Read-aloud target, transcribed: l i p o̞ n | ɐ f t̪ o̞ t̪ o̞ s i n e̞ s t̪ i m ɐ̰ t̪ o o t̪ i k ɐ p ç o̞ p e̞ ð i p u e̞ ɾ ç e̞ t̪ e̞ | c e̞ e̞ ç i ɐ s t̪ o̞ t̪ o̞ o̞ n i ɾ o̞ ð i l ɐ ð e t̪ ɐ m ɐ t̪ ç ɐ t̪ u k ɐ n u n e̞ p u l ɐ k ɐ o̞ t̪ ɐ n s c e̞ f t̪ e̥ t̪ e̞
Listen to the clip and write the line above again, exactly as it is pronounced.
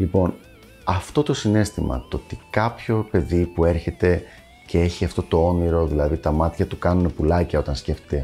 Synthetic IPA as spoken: l i p o̞ n | ɐ f t̪ o̞ t̪ o̞ s i n e̞ s t̪ i m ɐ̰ t̪ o o t̪ i k ɐ p ç o̞ p e̞ ð i p u e̞ ɾ ç e̞ t̪ e̞ | c e̞ e̞ ç i ɐ f t̪ o̞ t̪ o̞ o̞ n i ɾ o̞ ð i l ɐ ð i t̪ ɐ m ɐ t̪ ç ɐ t̪ u k ɐ n u n e̞ p u l ɐ c ɐ o̞ t̪ ɐ n s c e̞ f t̪ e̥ t̪ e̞